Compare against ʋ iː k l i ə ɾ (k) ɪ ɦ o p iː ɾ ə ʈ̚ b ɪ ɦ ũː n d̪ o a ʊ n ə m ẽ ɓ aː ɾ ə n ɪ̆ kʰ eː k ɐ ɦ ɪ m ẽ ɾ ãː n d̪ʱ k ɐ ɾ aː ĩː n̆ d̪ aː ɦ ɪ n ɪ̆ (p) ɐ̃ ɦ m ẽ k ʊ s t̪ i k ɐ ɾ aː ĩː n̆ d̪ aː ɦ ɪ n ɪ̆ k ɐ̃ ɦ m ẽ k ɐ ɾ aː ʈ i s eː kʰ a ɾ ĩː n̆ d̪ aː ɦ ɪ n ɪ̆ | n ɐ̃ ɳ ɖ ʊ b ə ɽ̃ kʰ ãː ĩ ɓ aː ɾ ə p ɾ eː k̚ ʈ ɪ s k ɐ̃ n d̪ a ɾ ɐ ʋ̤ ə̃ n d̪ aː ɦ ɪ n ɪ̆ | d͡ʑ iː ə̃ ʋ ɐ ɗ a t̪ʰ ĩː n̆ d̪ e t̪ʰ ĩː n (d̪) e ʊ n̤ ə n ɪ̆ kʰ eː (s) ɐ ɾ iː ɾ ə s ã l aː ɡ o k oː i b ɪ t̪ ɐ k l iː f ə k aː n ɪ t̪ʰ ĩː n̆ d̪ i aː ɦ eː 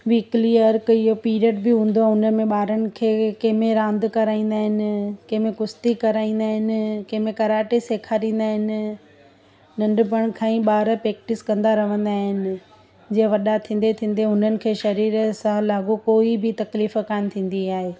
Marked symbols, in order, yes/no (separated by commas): yes, no, yes, no